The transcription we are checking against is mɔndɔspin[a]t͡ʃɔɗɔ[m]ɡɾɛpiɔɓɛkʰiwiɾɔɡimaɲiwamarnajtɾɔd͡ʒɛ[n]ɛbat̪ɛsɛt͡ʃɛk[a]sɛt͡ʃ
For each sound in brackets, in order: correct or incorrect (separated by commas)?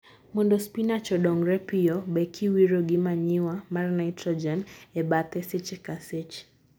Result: correct, incorrect, correct, correct